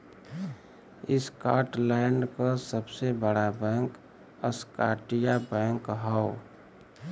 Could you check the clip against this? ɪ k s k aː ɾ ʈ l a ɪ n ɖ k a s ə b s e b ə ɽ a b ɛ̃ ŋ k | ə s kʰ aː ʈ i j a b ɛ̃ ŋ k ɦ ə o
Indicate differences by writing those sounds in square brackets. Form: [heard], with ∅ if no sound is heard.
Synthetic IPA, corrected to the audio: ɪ [∅] s k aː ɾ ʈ l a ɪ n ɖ k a s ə b s e b ə ɽ a b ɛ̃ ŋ k | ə s [k] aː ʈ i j a b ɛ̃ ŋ k ɦ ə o